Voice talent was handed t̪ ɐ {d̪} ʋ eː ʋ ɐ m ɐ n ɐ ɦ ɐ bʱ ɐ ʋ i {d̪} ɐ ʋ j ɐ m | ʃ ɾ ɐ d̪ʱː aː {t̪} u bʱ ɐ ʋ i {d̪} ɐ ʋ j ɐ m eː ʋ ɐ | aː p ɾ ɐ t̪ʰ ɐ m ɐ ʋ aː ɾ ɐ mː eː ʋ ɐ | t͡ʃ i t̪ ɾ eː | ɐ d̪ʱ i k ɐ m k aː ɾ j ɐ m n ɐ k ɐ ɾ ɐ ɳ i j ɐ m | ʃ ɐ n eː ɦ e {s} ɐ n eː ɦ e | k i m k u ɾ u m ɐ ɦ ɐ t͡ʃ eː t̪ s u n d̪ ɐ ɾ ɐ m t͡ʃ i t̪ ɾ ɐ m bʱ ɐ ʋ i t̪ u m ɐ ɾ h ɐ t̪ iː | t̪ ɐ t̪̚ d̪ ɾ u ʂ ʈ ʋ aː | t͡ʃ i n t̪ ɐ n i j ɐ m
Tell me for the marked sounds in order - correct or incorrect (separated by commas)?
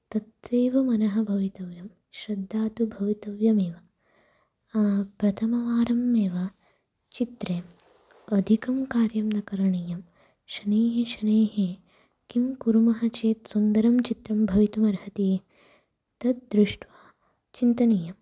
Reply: incorrect, incorrect, correct, incorrect, incorrect